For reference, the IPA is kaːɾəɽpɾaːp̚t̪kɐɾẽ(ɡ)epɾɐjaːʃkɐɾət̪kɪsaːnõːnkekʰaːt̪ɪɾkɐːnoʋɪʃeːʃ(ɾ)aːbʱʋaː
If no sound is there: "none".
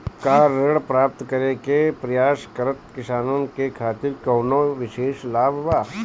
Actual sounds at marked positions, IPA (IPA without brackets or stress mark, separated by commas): k, l